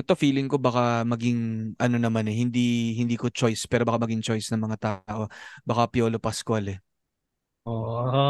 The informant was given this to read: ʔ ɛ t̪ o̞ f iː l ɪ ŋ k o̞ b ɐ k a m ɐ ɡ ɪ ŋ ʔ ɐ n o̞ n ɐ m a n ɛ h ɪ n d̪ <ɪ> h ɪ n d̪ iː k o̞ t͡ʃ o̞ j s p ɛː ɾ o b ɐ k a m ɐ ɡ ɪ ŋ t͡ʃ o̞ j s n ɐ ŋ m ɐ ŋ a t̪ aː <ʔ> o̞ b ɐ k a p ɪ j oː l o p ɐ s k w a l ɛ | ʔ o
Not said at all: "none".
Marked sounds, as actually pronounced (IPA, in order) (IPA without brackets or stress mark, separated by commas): i, ʔ